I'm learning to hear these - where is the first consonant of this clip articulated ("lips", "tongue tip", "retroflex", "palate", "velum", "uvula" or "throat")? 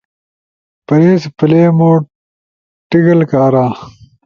lips